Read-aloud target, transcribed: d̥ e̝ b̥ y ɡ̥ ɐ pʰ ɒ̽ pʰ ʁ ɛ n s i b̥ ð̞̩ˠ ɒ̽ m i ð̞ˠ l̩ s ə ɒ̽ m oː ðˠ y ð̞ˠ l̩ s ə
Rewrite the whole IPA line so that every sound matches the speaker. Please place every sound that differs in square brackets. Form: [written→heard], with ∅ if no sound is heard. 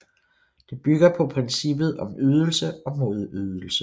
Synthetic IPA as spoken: d̥ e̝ b̥ y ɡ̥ ɐ pʰ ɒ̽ pʰ ʁ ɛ n s i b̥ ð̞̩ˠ ɒ̽ m [i→y] ð̞ˠ l̩ s ə ɒ̽ m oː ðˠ y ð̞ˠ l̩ s ə